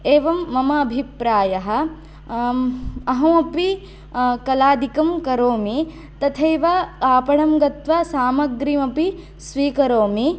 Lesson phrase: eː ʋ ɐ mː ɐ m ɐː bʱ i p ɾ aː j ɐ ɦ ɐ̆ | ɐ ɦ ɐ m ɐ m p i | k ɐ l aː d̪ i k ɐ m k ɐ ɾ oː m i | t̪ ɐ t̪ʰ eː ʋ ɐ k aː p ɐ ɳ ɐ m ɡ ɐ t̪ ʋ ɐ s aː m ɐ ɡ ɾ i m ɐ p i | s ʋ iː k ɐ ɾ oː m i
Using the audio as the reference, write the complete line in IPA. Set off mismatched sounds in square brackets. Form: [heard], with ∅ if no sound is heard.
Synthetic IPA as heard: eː ʋ ɐ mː ɐ m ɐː bʱ i p ɾ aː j ɐ ɦ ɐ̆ | ɐ ɦ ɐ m ɐ [∅] p i | k ɐ l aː d̪ i k ɐ m k ɐ ɾ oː m i | t̪ ɐ t̪ʰ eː ʋ ɐ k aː p ɐ ɳ ɐ m ɡ ɐ t̪ ʋ ɐ s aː m ɐ ɡ ɾ i m ɐ p i | s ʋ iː k ɐ ɾ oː m i